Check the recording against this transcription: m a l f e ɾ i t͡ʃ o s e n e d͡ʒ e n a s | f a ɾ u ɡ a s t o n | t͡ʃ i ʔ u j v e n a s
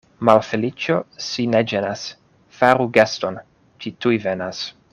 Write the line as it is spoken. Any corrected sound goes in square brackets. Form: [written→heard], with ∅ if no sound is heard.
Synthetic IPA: m a l f e [ɾ→l] i t͡ʃ o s [e→i] n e d͡ʒ e n a s | f a ɾ u ɡ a s t o n | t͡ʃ i [ʔ→t] u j v e n a s